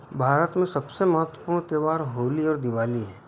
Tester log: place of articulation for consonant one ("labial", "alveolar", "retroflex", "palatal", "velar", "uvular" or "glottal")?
labial